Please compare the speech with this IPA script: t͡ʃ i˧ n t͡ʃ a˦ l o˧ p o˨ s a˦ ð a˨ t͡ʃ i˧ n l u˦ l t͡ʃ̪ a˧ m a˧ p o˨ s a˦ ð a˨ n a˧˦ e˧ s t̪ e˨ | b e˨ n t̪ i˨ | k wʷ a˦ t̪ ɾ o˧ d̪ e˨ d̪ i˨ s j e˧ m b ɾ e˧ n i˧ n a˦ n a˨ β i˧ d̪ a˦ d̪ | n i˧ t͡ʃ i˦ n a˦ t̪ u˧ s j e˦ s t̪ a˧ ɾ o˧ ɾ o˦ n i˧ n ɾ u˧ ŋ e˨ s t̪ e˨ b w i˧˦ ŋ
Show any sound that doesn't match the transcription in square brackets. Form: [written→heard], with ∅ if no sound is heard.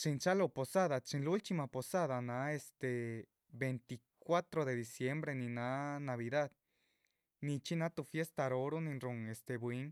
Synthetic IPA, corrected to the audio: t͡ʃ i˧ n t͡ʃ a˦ l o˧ p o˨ s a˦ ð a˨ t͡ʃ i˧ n l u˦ l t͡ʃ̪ [a˧→i˧] m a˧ p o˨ s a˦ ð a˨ n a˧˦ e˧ s t̪ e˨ | b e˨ n t̪ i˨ | k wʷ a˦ t̪ ɾ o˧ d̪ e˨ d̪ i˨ s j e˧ m b ɾ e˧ n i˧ n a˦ n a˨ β i˧ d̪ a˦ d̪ | n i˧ t͡ʃ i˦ n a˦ t̪ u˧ [s→f] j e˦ s t̪ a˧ ɾ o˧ ɾ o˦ n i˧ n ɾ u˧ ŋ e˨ s t̪ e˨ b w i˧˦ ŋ